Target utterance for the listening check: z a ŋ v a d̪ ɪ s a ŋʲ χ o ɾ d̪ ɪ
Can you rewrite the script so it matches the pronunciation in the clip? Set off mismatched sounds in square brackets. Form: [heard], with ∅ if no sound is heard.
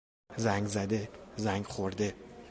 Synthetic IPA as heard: z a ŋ [z] a d̪ ɪ [z] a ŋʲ χ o ɾ d̪ ɪ